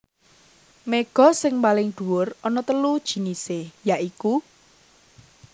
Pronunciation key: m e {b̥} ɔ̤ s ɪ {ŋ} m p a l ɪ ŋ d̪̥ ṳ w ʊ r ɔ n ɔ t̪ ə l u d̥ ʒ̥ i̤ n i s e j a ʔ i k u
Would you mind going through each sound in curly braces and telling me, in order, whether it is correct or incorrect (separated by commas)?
incorrect, correct